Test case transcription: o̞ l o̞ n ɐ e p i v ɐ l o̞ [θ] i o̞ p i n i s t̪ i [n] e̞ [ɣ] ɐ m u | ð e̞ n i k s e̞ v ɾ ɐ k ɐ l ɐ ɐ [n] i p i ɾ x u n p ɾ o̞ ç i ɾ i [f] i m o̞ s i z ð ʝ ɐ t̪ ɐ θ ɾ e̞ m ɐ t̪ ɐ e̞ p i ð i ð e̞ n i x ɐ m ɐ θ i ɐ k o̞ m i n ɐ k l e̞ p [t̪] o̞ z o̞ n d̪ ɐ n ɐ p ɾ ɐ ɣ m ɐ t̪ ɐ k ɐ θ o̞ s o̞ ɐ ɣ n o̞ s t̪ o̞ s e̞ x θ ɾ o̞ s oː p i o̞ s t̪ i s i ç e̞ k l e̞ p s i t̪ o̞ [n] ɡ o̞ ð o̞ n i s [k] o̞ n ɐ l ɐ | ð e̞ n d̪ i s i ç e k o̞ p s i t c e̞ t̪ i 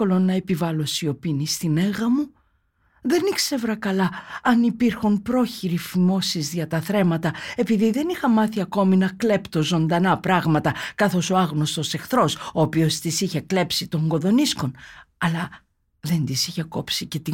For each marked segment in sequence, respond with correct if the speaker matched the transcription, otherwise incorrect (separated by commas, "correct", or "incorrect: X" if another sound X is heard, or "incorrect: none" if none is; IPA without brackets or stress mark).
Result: incorrect: s, correct, correct, correct, correct, correct, incorrect: ŋ, correct